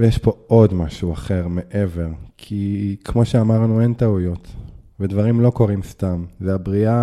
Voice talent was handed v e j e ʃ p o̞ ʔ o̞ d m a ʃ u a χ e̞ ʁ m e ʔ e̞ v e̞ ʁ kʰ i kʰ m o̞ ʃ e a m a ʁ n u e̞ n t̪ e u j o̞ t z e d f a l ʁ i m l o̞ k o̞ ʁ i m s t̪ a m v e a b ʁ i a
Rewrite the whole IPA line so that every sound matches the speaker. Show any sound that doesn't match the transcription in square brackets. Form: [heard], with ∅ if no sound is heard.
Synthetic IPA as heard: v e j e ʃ p o̞ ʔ o̞ d m a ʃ u a χ e̞ ʁ m e ʔ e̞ v e̞ ʁ kʰ i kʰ m o̞ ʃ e a m a ʁ n u e̞ n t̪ [a] u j o̞ t [v] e d [v] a [∅] ʁ i m l o̞ k o̞ ʁ i m s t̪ a m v e a b ʁ i a